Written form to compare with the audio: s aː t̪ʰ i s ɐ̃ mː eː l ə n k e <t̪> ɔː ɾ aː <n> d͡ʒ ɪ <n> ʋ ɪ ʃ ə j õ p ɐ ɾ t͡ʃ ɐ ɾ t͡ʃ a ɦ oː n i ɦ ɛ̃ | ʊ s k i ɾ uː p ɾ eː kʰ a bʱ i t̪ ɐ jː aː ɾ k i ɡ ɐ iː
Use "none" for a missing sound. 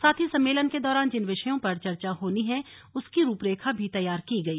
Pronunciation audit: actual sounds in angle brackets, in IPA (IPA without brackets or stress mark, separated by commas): d̪, n, n